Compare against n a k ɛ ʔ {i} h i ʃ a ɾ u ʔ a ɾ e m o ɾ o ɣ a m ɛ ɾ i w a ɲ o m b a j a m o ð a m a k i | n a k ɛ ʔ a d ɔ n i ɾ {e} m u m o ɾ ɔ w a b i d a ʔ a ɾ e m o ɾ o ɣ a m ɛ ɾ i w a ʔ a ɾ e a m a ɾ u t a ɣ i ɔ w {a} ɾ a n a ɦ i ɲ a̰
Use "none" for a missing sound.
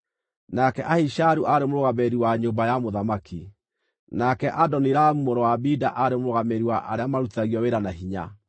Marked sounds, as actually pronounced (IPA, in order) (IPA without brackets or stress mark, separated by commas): a, a, e